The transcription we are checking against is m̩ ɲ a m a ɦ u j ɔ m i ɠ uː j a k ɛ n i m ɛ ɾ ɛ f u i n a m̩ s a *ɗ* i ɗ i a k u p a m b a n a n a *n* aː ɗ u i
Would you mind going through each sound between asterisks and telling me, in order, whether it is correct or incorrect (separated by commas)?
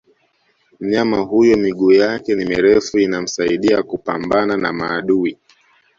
incorrect, incorrect